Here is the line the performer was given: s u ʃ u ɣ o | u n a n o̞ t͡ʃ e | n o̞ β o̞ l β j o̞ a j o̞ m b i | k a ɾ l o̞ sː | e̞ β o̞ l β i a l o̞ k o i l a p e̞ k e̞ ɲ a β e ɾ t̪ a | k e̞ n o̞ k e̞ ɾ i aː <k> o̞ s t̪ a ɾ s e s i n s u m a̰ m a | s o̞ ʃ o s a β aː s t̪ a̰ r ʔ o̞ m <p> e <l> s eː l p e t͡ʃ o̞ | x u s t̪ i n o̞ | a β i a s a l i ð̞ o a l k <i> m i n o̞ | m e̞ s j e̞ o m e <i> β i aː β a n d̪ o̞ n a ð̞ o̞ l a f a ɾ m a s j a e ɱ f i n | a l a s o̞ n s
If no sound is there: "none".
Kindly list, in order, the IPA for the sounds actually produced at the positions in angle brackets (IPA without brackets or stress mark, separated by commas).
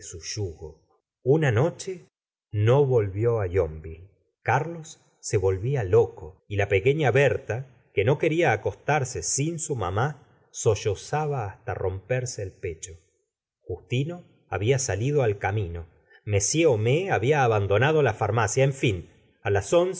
k, p, ɾ, a, a